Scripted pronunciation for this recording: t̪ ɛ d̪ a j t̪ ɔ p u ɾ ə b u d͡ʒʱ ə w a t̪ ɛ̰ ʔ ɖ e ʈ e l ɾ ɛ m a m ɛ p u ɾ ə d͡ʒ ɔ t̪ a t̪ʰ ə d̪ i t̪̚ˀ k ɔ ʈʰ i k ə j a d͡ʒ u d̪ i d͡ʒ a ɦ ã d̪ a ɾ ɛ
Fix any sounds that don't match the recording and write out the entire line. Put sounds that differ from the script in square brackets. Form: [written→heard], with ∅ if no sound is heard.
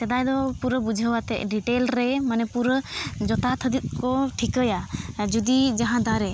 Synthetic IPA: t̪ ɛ d̪ a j [t̪→d̪] ɔ p u ɾ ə b u d͡ʒʱ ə w a t̪ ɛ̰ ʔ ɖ [e→i] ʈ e l ɾ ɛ m a [m→n] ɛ p u ɾ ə d͡ʒ ɔ t̪ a t̪ʰ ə d̪ i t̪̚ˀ k ɔ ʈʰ i k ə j a d͡ʒ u d̪ i d͡ʒ a ɦ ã d̪ a ɾ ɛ